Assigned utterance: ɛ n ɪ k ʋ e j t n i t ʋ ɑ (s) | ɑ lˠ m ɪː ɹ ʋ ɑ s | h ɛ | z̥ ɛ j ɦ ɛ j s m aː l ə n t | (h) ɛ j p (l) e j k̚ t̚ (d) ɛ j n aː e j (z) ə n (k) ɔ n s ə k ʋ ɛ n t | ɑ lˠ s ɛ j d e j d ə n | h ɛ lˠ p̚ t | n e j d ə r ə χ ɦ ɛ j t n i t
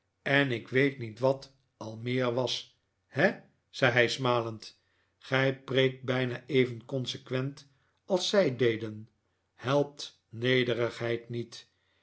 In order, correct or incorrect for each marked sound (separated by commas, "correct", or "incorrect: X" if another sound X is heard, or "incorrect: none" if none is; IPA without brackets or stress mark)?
incorrect: t, incorrect: χ, incorrect: r, incorrect: b, incorrect: v, correct